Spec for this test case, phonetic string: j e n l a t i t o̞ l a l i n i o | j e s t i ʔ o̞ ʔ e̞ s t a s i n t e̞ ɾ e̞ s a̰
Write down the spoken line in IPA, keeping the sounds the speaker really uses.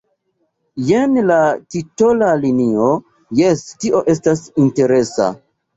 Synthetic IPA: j e n l a t i t o̞ l a l i n i o | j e s t i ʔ o̞ ʔ e̞ s t a s i n t e̞ ɾ e̞ s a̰

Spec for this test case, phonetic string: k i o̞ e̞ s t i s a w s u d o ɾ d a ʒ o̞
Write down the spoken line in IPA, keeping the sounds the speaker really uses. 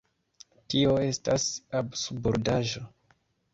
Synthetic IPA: t i o̞ e̞ s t a s a b s u b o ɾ d a ʒ o̞

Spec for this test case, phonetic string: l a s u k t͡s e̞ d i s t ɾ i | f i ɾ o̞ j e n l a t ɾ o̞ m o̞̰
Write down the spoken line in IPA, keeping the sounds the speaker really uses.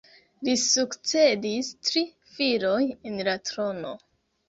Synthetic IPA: l i s u k t͡s e̞ d i s t ɾ i | f i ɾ o̞ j e n l a t ɾ o̞ n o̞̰

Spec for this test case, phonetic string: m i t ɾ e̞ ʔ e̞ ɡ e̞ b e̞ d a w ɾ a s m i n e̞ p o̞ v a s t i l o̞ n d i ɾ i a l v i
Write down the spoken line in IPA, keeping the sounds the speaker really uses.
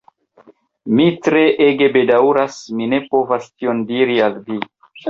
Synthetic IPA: m i t ɾ e̞ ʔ e̞ ɡ e̞ b e̞ d a w ɾ a s m i n e̞ p o̞ v a s t i o̞ n d i ɾ i a l v i

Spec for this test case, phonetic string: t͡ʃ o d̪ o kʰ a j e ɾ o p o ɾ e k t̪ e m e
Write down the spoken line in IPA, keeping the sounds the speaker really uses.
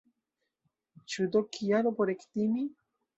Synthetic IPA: t͡ʃ u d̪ o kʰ i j a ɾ o p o ɾ e k t̪ i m i

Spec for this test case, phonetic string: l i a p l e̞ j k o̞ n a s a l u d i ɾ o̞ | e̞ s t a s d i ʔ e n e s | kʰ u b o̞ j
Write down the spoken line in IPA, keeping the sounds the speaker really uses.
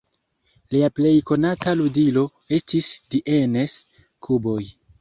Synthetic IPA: l i a p l e̞ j k o̞ n a t a l u d i l o̞ | e̞ s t i s d i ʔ e n e s | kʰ u b o̞ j

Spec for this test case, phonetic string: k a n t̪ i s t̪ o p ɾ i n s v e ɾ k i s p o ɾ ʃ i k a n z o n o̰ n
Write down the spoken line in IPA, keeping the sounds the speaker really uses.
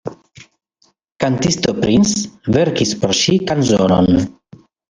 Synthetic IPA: k a n t̪ i s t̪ o p ɾ i n s v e ɾ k i s p o ɾ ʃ i k a n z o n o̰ n

